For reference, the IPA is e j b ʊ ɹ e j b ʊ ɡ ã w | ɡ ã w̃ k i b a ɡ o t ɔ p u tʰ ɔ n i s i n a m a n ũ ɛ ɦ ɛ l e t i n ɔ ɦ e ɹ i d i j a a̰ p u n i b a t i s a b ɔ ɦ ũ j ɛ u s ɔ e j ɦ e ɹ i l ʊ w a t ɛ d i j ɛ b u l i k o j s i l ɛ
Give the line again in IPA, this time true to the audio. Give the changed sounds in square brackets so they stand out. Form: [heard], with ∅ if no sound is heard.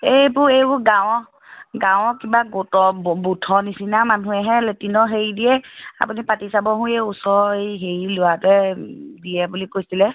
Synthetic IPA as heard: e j b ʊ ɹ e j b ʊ ɡ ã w | ɡ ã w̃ k i b a ɡ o t ɔ [b] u tʰ ɔ n i s i n a m a n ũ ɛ ɦ ɛ l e t i n ɔ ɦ e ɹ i d i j [ɛ] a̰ p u n i [p] a t i s a b ɔ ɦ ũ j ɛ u s ɔ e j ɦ e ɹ i l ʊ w a t ɛ d i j ɛ b u l i k o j s i l ɛ